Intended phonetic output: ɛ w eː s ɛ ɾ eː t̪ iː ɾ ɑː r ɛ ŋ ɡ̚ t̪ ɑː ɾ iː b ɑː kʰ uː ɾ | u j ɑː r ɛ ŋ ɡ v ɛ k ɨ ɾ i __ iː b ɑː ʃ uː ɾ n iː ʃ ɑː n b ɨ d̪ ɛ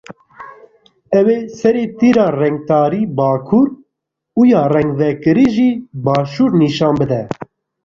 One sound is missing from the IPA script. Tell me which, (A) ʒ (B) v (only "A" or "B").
A